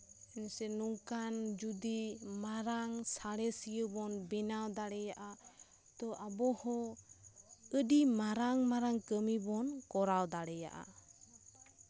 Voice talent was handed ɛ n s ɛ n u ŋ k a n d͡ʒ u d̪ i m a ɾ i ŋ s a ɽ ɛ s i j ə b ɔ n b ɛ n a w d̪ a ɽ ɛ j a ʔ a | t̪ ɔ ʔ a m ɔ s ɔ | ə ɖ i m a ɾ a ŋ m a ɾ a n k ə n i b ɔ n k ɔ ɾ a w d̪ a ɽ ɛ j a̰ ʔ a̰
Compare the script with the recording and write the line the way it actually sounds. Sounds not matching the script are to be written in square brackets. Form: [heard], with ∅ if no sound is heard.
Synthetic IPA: ɛ n s ɛ n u ŋ k a n d͡ʒ u d̪ i m a ɾ [a] ŋ s a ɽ ɛ s i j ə b ɔ n b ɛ n a w d̪ a ɽ ɛ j a ʔ a | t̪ ɔ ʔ a [b] ɔ [h] ɔ | ə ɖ i m a ɾ a ŋ m a ɾ a [ŋ] k ə [m] i b ɔ n k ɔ ɾ a w d̪ a ɽ ɛ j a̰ ʔ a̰